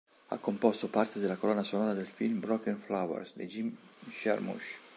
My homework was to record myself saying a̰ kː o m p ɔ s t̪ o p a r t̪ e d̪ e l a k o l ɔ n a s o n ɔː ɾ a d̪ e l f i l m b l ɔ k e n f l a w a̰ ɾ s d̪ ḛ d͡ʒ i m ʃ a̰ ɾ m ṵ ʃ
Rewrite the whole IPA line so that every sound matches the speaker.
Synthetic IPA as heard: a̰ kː o m p ɔ s t̪ o p a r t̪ e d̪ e l a k o l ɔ n a s o n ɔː ɾ a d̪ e l f i l m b ɾ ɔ k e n f l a w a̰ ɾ s d̪ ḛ d͡ʒ i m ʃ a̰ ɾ m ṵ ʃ

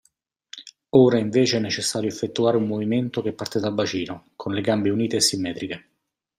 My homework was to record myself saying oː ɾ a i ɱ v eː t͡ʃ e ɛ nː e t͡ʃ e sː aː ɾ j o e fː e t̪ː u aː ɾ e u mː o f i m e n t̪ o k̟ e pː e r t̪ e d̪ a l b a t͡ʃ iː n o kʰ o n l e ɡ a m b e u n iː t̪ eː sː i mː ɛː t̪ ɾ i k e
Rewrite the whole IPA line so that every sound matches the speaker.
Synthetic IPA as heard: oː ɾ a i ɱ v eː t͡ʃ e ɛ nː e t͡ʃ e sː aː ɾ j o e fː e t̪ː u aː ɾ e u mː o v i m e n t̪ o k̟ e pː a r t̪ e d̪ a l b a t͡ʃ iː n o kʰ o n l e ɡ a m b e u n iː t̪ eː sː i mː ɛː t̪ ɾ i k e

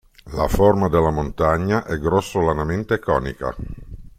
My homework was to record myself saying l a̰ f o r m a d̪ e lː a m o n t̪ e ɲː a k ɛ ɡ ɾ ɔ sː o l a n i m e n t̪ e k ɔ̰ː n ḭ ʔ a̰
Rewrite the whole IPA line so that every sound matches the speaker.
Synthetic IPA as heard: l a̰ f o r m a d̪ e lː a m o n t̪ a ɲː a ʔ ɛ ɡ ɾ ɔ sː o l a n a m e n t̪ e k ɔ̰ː n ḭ k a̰

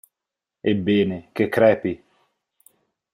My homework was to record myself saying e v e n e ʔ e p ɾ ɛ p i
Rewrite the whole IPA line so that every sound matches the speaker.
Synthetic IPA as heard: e b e n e k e k ɾ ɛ p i

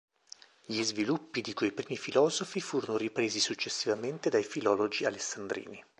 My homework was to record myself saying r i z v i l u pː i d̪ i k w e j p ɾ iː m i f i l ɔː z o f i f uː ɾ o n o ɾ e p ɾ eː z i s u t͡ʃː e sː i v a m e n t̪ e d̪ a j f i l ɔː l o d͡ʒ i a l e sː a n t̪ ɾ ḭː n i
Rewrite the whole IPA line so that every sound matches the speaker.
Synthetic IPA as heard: ʎ i z v i l u pː i d̪ i k w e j p ɾ iː m i f i l ɔː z o f i f uː ɾ o n o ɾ i p ɾ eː z i s u t͡ʃː e sː i v a m e n t̪ e d̪ a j f i l ɔː l o d͡ʒ i a l e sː a n d̪ ɾ ḭː n i

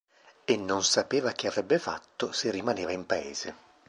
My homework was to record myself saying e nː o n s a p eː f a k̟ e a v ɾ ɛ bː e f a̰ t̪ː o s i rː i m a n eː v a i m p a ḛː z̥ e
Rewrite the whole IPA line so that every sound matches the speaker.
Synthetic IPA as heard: e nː o n s a p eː v a k̟ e a v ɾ ɛ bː e f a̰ t̪ː o s e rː i m a n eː v a i m p a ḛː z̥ e

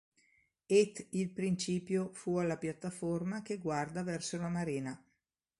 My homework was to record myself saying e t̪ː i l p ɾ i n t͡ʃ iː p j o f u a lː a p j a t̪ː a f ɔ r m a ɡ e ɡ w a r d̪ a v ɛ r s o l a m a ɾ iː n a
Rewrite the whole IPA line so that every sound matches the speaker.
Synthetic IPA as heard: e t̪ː i l p ɾ i n t͡ʃ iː p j o f u a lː a p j a t̪ː a f o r m a k e ɡ w a r d̪ a v ɛ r s o l a m a ɾ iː n a

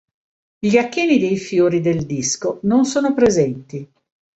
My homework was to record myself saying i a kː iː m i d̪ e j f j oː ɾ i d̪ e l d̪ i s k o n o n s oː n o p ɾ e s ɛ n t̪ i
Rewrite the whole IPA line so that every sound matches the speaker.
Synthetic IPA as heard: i a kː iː n i d̪ e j f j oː ɾ i d̪ e l d̪ i s k o n o n s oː n o p ɾ e z ɛ n t̪ i

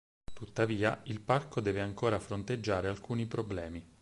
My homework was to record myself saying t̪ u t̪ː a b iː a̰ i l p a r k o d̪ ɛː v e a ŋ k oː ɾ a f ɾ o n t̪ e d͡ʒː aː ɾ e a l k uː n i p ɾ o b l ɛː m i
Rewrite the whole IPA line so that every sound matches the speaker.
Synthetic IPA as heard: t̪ u t̪ː a v iː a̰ i l p a r k o d̪ ɛː v e a ŋ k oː ɾ a f ɾ o n t̪ e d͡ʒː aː ɾ e a l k uː n i p ɾ o b l ɛː m i

